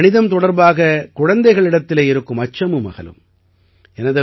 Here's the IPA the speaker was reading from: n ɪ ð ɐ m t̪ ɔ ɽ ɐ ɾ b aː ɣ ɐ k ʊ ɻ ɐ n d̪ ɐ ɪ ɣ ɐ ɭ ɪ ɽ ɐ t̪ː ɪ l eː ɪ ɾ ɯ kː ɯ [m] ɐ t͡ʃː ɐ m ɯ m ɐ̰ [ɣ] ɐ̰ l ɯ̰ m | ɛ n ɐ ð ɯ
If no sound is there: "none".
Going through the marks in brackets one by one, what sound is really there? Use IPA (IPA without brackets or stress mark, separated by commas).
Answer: m, ɣ